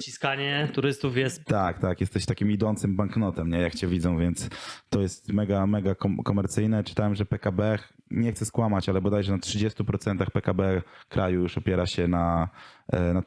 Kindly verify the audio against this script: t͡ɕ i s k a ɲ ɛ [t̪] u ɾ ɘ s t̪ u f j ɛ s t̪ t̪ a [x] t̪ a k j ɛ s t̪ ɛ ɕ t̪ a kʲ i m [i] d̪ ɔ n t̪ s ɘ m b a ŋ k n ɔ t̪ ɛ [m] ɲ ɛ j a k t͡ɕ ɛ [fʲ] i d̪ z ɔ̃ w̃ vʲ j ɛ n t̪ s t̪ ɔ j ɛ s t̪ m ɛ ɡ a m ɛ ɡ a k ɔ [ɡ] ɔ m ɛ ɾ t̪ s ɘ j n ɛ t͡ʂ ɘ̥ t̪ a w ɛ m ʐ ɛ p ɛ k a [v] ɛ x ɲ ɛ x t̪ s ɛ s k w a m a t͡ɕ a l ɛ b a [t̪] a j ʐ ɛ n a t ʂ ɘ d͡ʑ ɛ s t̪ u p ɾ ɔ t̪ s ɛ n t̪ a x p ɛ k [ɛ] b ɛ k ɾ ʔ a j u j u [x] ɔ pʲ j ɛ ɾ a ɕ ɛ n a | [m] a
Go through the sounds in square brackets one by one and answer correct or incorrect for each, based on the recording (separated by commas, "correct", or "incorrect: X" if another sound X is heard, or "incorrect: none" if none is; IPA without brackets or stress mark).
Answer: correct, incorrect: k, correct, correct, incorrect: vʲ, incorrect: k, incorrect: b, incorrect: d̪, incorrect: a, incorrect: ʂ, incorrect: n